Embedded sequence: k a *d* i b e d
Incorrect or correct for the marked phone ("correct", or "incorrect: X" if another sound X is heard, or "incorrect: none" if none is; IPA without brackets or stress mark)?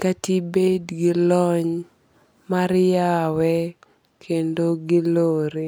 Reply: incorrect: t